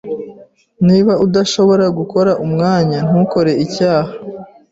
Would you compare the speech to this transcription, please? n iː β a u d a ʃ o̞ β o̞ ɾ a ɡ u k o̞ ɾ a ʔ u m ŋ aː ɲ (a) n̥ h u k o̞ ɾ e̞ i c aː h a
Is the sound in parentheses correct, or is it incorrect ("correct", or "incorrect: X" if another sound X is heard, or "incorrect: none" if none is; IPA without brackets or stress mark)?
correct